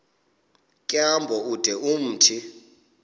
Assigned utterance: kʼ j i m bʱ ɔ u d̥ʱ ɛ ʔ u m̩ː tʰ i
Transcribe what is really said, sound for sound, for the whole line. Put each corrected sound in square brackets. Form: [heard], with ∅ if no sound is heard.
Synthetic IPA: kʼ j [a] m bʱ ɔ u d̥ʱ ɛ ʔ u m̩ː tʰ i

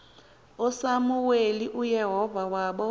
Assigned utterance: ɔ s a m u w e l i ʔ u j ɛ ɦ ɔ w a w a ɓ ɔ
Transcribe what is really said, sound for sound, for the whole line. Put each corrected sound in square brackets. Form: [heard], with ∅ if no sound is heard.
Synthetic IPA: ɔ s a m u w e l i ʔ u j ɛ ɦ ɔ [v] a w a ɓ ɔ

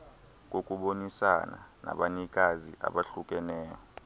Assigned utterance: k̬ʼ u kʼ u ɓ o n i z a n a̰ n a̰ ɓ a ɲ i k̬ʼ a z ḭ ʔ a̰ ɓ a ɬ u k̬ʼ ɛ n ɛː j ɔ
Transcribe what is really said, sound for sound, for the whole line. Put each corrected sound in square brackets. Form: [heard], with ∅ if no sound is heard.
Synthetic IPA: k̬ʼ [o] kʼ u ɓ o n i [s] a n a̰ n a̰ ɓ a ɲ i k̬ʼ a z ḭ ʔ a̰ ɓ a ɬ u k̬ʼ ɛ n ɛː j ɔ

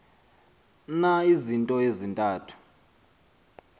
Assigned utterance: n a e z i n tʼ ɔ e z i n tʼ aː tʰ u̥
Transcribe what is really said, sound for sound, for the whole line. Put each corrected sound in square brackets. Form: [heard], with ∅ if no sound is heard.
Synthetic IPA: n a [i] z i n tʼ ɔ e z i n tʼ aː tʰ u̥

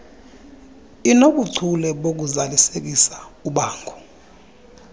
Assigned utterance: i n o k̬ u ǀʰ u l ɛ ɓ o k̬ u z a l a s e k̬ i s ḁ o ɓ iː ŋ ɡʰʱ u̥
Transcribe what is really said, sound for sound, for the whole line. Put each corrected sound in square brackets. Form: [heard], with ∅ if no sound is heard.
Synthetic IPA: i n o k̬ u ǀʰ u l ɛ ɓ o k̬ u z a l [i] s e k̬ i s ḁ [u] ɓ [aː] ŋ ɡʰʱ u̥

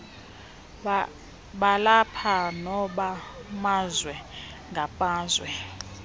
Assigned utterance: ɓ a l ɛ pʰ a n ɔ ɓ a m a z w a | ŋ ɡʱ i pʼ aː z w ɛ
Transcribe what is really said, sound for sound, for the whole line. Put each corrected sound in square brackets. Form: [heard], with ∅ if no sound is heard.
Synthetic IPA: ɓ a l [a] pʰ a n ɔ ɓ a m a z w [ɛ] | ŋ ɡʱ [a] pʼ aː z w ɛ

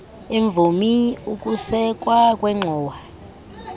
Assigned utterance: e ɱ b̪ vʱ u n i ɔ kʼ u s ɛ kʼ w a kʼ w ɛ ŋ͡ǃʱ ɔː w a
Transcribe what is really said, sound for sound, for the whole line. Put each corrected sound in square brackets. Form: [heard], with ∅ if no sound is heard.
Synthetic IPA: e ɱ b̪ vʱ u [m] i [u] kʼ u s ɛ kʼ w a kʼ w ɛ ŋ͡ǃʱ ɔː w a

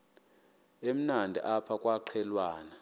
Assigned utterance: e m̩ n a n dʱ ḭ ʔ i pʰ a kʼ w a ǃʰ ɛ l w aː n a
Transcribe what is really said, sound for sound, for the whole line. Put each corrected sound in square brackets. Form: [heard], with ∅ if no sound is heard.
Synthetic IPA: e m̩ n a n dʱ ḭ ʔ [a] pʰ a kʼ w a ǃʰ ɛ l w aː n a

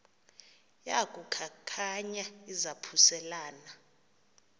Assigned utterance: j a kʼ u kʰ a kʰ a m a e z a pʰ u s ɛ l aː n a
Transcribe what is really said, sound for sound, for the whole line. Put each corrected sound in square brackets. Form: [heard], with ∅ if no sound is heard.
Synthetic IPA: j a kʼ u kʰ a kʰ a [ɲ] a [i] z a pʰ u s ɛ l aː n a

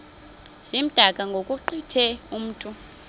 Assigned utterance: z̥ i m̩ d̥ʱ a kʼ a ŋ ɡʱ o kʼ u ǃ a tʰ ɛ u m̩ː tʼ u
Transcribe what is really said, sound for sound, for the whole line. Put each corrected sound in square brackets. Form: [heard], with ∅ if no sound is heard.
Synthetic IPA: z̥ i m̩ d̥ʱ a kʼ a ŋ ɡʱ o kʼ u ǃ [i] tʰ ɛ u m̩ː tʼ u

